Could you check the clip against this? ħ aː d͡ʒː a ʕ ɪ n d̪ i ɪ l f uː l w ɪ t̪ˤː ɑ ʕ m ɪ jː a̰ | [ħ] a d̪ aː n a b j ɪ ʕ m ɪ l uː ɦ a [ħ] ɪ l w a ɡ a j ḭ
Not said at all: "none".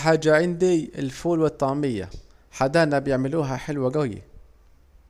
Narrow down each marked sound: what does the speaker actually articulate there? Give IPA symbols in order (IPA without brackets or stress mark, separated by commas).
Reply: ħ, ħ